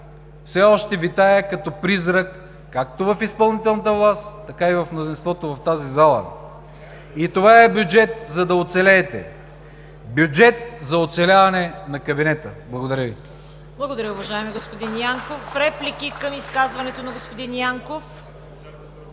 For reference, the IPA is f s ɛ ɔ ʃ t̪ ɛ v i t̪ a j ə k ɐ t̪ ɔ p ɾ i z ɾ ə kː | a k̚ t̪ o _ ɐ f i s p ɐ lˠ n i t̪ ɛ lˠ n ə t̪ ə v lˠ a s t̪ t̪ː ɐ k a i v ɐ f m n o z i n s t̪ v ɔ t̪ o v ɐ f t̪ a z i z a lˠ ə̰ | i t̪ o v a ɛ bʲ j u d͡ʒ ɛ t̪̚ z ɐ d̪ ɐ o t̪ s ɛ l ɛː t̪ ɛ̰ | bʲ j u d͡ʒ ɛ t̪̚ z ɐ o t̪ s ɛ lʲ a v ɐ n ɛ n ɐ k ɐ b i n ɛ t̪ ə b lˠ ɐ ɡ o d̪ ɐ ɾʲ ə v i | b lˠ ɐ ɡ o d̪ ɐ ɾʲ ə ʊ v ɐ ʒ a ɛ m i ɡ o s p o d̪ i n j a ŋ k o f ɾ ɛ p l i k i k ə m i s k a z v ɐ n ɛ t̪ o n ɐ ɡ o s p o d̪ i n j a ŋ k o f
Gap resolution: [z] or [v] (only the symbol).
v